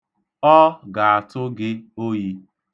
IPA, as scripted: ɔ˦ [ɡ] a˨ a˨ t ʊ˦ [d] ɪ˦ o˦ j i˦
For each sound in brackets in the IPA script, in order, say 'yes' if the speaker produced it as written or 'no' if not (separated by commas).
yes, no